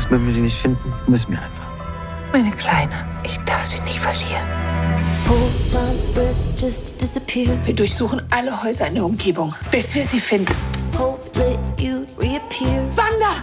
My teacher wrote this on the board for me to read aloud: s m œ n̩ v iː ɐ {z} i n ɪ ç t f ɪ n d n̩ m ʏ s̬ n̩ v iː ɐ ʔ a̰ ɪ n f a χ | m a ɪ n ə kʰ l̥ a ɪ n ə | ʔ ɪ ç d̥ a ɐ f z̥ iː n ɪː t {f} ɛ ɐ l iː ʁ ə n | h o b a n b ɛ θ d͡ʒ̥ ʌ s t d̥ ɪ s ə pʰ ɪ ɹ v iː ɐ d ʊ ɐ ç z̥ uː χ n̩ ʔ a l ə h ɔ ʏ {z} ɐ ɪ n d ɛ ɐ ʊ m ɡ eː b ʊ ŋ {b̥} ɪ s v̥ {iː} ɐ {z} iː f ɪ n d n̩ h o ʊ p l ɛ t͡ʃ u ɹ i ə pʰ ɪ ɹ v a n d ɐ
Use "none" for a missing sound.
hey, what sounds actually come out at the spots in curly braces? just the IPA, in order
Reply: z, f, z, b̥, iː, z

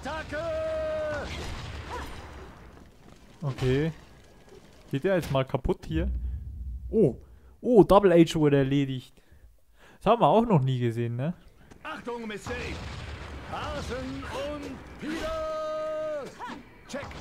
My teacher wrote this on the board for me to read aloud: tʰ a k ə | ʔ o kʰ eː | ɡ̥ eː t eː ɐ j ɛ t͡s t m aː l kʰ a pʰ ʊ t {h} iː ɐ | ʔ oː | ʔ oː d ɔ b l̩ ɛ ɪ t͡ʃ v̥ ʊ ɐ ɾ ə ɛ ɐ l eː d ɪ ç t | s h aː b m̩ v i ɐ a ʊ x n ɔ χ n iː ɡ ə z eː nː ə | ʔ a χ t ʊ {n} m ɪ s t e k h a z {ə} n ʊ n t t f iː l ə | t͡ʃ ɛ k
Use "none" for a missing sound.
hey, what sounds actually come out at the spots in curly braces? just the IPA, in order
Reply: h, ŋ, ə

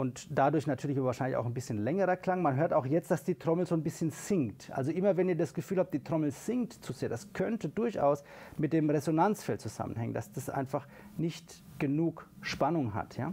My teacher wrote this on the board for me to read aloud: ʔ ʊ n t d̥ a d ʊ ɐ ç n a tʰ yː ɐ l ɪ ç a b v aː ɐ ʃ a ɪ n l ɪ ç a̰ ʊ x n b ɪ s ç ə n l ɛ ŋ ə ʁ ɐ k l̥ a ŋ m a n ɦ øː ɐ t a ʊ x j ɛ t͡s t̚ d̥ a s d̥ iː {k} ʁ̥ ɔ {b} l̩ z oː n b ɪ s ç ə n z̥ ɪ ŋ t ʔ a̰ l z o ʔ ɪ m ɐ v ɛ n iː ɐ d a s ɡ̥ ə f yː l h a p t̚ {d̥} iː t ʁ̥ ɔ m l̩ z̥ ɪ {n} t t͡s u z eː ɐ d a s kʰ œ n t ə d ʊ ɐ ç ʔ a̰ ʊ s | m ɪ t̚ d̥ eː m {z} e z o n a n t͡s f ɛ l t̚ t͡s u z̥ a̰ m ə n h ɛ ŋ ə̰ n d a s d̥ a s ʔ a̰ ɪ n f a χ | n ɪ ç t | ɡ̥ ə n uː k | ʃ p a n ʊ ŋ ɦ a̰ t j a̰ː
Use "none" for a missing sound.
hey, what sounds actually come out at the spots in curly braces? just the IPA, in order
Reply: t, m, d̥, ŋ, ʁ

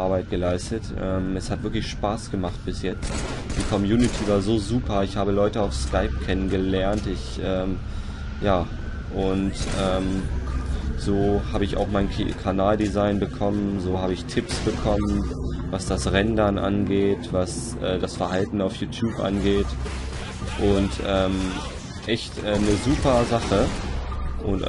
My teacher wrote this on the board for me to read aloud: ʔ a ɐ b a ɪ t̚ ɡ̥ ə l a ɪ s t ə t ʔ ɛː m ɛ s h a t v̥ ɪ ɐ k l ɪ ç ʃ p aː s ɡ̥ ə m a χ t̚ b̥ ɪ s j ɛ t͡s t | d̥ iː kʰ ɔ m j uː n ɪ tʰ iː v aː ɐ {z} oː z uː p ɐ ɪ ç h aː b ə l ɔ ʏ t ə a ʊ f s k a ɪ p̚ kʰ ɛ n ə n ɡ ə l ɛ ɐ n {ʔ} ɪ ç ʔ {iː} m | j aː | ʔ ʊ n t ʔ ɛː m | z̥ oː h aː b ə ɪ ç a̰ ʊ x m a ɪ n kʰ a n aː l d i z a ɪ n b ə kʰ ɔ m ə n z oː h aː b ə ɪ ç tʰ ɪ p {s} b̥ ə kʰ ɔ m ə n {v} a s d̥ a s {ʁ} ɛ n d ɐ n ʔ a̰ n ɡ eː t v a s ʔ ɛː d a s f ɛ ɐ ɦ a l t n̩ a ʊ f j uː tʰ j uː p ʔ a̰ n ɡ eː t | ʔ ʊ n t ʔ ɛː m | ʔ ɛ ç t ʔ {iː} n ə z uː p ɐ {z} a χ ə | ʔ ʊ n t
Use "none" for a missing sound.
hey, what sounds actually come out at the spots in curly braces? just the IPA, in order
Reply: z, t, ɛː, s, v, ʁ, ɛː, z

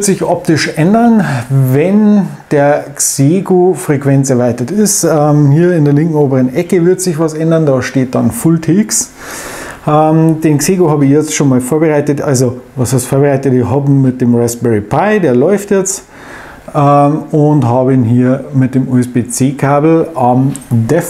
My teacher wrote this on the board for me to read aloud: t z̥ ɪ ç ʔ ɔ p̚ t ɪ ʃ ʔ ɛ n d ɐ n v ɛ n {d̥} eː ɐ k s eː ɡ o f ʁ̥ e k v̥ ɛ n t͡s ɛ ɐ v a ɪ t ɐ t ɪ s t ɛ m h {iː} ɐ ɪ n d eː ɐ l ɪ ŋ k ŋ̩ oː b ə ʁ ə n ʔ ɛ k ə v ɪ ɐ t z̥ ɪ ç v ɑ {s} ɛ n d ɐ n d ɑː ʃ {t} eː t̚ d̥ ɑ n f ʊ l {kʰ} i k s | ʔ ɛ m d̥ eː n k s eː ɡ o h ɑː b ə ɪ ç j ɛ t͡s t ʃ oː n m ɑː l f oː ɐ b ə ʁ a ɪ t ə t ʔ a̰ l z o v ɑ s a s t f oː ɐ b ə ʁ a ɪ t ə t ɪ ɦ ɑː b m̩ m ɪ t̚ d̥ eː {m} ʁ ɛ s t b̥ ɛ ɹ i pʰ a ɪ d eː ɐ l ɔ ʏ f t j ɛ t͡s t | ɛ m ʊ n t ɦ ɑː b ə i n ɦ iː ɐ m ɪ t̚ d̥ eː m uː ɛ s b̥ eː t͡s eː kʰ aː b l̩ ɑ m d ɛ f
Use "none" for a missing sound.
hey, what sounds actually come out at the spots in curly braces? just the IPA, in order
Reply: d̥, iː, s, t, tʰ, m

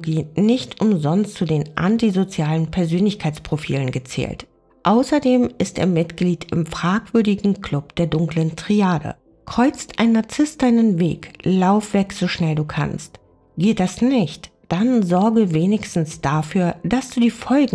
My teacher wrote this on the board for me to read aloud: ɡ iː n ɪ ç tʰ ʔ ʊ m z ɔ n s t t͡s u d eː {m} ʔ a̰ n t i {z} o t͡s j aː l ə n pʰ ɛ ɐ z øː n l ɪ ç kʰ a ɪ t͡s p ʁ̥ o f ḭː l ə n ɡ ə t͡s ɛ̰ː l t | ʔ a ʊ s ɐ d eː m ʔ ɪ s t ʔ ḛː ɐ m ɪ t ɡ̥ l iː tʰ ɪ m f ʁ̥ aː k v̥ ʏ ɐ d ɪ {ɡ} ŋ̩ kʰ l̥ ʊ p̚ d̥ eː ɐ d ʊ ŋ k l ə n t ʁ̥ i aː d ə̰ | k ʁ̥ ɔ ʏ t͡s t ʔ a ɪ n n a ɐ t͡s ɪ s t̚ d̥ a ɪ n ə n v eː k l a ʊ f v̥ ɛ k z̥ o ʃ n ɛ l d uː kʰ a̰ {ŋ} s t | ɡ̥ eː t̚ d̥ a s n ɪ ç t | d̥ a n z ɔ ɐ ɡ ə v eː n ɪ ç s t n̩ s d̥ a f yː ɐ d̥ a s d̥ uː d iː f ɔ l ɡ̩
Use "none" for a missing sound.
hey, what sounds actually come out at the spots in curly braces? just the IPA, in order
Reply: n, z, ɡ, n

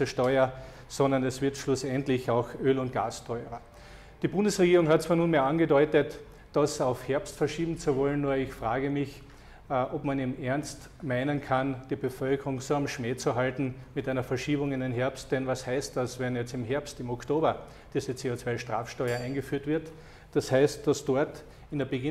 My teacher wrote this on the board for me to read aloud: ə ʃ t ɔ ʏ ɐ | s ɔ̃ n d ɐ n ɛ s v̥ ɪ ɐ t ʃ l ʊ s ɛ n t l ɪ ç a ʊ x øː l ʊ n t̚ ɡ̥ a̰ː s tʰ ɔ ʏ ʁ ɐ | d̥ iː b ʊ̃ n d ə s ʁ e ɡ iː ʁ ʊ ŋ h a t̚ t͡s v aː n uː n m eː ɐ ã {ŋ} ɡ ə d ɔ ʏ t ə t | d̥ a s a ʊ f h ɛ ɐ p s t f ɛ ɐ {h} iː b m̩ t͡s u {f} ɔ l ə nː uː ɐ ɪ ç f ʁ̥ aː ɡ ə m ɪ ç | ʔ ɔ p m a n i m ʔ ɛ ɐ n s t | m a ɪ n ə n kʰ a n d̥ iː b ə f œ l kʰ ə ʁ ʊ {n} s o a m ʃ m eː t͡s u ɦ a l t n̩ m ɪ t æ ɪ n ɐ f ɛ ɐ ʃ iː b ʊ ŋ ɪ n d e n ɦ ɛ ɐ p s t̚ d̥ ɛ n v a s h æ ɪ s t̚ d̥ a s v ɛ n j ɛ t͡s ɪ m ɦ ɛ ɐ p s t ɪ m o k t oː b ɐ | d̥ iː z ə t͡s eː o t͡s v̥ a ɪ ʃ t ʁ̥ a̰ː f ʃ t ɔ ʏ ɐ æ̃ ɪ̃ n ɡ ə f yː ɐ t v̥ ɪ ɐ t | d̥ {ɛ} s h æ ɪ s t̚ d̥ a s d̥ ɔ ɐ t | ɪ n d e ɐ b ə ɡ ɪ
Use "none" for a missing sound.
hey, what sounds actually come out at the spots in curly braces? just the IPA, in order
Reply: n, ʃ, v, ŋ, a

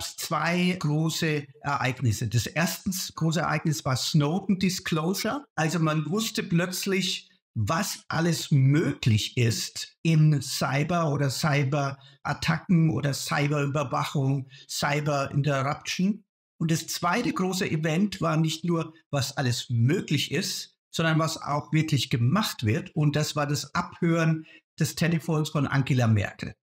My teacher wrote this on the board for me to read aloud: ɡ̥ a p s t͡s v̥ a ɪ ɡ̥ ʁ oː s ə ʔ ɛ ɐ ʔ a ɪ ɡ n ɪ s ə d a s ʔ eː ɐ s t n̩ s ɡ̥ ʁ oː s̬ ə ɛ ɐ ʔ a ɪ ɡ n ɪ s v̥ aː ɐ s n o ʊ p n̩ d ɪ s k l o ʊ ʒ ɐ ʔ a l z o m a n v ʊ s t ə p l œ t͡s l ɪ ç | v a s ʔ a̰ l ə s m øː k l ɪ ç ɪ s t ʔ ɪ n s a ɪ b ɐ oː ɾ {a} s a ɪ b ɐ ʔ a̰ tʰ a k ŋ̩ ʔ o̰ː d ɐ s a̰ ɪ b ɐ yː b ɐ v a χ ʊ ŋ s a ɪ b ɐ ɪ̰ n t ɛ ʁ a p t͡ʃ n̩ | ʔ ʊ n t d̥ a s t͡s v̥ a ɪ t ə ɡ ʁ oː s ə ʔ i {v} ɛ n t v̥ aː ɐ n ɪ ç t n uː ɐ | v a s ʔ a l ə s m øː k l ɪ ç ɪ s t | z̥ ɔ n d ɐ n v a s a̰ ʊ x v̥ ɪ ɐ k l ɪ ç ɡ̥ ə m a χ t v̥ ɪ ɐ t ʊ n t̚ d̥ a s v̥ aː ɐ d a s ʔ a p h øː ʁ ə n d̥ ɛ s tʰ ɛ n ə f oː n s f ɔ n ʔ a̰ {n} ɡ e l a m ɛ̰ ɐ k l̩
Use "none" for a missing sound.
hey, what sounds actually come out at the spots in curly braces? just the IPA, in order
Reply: ɐ, v, ŋ

